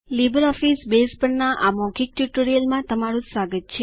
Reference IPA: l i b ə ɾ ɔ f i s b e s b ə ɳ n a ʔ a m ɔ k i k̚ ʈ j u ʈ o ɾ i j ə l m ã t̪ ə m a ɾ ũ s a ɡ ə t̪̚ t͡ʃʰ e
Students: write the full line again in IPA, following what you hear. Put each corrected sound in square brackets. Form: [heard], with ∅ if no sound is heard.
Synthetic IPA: l i b ə ɾ ɔ f i s b e s [p] ə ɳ n a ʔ a m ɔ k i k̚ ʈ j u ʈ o ɾ i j ə l m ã t̪ ə m a ɾ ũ s a ɡ ə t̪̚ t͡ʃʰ e